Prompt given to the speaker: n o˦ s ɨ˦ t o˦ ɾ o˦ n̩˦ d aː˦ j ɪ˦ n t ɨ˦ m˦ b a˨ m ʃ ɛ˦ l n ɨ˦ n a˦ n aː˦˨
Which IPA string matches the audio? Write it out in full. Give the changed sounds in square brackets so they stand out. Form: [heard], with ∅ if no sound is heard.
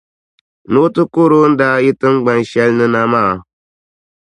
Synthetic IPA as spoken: n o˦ [t] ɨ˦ [k] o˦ ɾ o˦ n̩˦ d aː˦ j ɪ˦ [∅] t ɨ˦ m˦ [ɡ͡b] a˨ [n] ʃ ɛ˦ l n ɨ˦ n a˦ [m] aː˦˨

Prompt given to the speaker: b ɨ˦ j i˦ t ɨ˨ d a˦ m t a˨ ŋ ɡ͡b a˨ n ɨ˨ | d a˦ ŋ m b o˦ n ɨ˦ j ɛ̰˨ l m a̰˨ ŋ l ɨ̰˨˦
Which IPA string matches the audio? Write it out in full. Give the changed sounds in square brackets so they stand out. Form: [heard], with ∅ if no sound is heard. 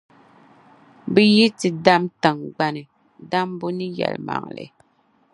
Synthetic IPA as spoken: b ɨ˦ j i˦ t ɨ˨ d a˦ m t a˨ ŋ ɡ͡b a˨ n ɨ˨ | d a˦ [∅] m b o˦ n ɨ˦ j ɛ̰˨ l m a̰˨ ŋ l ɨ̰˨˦

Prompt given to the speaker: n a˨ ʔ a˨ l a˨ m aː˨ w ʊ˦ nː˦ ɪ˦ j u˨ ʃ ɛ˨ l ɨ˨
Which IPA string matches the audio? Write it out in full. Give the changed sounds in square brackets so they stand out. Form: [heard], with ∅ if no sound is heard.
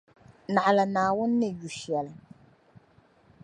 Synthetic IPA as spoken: n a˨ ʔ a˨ l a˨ [n] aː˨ w ʊ˦ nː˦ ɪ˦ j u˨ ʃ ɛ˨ l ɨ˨

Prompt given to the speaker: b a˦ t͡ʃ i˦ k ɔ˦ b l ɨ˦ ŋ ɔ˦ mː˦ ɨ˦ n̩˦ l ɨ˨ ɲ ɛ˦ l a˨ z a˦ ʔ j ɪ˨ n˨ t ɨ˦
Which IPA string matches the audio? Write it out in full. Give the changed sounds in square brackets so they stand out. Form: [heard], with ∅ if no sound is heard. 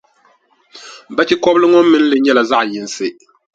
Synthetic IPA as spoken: b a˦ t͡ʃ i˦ k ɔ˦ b l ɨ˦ ŋ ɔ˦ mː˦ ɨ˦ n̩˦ l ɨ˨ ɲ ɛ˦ l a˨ z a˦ ʔ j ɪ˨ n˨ [s] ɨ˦

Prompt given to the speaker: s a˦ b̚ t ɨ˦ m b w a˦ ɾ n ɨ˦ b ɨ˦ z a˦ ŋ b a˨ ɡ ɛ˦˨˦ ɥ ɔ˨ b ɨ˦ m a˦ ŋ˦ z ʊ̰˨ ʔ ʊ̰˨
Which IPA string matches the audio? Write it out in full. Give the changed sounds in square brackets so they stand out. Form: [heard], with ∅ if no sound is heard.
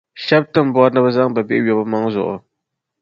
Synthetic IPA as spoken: [ʃ] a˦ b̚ t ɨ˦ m b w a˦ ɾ n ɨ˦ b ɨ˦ z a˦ ŋ b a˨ [b] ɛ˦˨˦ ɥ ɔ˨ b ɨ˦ m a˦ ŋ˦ z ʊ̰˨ ʔ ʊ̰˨

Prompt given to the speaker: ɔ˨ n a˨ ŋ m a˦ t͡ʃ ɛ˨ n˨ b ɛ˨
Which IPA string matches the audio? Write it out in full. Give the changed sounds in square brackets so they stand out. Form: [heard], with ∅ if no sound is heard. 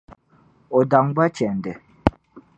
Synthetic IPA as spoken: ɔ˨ [d] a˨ ŋ [b] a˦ t͡ʃ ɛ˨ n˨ [d] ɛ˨

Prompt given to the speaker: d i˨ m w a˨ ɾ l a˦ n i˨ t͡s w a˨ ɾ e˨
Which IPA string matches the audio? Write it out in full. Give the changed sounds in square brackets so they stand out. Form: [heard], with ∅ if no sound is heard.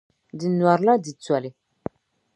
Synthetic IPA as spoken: d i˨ [n] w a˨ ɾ l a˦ [d] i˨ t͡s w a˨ [l] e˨

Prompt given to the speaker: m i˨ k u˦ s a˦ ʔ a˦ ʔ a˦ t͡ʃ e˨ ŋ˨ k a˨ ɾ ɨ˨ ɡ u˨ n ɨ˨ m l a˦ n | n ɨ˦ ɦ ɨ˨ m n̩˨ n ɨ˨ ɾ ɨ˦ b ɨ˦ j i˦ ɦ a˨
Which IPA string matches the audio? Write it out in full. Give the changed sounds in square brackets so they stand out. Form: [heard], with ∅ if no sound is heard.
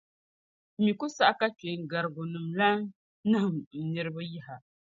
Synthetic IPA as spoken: m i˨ k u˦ s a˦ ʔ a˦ [k] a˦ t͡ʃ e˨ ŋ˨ [ɡ] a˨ ɾ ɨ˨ ɡ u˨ n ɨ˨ m l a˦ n | n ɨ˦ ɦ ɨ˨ m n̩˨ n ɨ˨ ɾ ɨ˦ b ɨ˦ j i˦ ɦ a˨

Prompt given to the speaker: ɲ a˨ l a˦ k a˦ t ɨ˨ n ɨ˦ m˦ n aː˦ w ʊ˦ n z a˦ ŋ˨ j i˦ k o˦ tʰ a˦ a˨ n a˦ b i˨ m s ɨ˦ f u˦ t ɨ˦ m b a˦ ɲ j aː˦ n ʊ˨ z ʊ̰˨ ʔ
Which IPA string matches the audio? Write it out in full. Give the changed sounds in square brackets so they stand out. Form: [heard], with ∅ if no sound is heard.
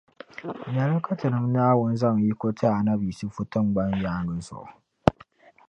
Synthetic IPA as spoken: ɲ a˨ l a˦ k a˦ t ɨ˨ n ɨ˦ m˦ n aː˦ w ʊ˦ n z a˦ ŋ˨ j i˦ k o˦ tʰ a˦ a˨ n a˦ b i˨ [∅] s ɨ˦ f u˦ t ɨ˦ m [ɡ͡b] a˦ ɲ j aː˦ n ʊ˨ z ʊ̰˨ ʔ

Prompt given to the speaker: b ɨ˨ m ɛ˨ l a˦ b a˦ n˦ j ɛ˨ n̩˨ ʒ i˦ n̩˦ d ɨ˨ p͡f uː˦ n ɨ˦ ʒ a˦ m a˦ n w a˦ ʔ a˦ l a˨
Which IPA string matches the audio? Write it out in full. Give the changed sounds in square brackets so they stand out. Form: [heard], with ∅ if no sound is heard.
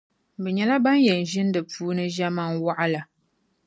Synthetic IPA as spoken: b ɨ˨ [ɲ] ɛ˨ l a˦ b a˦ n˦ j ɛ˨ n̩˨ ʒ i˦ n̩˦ d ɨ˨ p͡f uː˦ n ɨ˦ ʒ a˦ m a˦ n w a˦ ʔ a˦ l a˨

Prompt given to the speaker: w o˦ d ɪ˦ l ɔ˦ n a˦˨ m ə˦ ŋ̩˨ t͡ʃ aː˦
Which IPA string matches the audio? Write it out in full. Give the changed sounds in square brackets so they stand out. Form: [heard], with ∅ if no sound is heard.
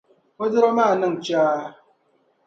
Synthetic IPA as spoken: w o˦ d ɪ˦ [ɾ] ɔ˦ [m] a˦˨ [n] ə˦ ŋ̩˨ t͡ʃ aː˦

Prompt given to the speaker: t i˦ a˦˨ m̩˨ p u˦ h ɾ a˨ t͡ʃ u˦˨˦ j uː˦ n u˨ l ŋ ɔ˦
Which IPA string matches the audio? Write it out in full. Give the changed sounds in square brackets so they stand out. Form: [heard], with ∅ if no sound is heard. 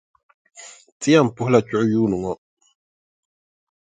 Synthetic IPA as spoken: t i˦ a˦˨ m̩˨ p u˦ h [l] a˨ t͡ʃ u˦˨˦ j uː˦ n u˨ [∅] ŋ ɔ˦

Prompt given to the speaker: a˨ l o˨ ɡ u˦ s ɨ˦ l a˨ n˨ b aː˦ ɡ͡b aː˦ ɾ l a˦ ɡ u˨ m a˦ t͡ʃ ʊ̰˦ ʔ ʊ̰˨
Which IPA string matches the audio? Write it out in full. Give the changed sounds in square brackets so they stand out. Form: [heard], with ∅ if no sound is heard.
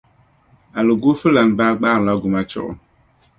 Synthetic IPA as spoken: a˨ l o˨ ɡ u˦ [f] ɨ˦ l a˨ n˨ b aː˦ ɡ͡b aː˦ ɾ l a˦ ɡ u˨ m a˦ t͡ʃ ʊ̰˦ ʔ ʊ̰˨

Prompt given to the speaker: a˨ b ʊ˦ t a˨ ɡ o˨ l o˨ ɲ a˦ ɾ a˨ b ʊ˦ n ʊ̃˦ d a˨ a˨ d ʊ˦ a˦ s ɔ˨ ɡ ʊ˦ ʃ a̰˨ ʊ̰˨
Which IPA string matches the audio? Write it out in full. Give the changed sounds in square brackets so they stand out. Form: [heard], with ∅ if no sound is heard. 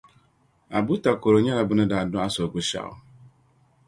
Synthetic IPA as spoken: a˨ b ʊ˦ t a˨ [k] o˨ [ɾ] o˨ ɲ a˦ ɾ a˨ b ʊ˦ n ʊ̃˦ d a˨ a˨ d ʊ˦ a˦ s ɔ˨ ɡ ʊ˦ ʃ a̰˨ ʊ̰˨

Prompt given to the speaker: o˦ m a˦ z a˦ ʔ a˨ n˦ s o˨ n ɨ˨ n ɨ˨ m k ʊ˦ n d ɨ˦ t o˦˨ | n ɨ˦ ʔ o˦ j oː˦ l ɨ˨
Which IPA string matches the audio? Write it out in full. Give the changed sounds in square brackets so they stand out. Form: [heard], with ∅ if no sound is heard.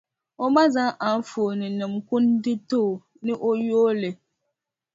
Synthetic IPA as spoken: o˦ m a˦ z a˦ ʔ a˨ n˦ [f] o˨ n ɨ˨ n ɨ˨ m k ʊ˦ n d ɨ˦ t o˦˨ | n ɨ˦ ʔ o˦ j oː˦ l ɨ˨

